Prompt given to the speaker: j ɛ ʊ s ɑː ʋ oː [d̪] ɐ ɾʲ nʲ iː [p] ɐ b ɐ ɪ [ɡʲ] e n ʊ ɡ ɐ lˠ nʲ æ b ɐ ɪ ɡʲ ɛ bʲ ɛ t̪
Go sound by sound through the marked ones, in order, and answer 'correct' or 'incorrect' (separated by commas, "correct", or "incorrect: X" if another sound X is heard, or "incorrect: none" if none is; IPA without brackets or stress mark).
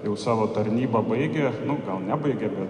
incorrect: t̪, incorrect: b, correct